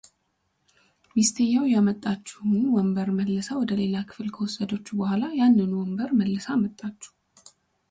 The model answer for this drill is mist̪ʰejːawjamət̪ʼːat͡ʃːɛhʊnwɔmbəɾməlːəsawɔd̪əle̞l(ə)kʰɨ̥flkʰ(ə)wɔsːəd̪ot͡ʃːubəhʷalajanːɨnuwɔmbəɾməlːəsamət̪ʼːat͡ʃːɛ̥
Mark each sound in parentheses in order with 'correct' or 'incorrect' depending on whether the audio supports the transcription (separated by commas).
incorrect, correct